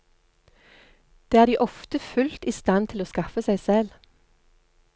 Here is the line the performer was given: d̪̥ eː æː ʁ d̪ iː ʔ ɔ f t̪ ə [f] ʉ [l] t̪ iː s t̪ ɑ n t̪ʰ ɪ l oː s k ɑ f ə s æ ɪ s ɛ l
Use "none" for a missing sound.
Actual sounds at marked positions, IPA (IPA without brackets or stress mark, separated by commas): f, l